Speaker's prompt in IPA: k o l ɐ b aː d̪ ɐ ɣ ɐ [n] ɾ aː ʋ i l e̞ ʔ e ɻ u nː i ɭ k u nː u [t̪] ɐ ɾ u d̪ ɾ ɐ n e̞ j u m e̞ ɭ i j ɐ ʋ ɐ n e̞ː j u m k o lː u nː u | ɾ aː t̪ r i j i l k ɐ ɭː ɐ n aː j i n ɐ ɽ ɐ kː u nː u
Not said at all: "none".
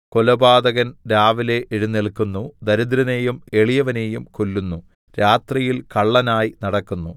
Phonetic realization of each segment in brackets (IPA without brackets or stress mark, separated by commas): n, d̪